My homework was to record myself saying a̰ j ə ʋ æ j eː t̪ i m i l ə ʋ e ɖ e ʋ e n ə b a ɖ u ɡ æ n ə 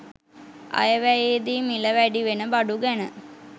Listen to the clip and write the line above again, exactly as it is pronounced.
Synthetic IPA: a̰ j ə ʋ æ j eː d̪ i m i l ə ʋ æ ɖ i ʋ e n ə b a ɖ u ɡ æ n ə